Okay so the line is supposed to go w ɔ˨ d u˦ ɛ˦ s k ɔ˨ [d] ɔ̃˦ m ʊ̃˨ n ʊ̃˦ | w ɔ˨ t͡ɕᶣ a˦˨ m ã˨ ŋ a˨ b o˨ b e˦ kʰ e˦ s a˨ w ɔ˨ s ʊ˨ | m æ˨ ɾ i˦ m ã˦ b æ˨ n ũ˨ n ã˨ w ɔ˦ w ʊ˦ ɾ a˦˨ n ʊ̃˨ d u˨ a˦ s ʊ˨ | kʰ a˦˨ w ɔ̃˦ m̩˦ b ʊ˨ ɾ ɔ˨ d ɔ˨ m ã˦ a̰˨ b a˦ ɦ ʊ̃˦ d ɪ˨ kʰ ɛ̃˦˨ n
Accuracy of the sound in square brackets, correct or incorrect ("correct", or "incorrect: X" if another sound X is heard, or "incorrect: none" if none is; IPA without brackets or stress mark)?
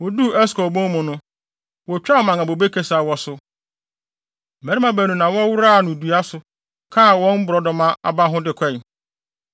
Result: incorrect: b